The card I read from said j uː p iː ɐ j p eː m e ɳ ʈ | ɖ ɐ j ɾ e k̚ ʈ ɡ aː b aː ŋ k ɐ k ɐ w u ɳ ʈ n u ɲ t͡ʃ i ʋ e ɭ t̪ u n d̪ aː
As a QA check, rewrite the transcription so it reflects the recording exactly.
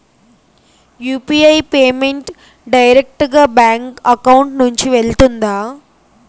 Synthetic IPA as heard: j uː p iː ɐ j p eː m e ɳ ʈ | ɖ ɐ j ɾ e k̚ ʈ ɡ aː b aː ŋ k ɐ k ɐ w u ɳ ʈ n u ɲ t͡ʃ i ʋ e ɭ t̪ u n d̪ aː